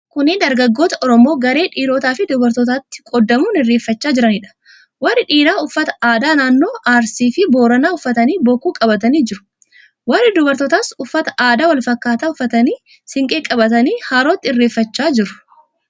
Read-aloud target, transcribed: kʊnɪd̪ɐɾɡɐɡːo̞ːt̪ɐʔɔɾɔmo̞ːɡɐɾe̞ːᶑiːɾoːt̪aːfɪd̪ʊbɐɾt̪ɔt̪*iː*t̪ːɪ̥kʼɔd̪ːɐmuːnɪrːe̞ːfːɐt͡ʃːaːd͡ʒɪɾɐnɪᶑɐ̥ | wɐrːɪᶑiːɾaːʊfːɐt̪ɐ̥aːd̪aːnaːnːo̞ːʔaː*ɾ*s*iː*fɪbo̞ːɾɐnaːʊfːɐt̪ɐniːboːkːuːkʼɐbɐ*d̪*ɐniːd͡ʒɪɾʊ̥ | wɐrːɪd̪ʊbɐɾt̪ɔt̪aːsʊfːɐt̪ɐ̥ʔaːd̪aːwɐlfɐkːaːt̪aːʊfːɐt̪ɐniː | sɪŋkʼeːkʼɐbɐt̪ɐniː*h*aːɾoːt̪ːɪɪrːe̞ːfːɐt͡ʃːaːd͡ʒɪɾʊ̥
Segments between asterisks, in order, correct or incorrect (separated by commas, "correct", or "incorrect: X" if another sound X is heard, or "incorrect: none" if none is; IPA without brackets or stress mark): incorrect: aː, correct, correct, incorrect: t̪, correct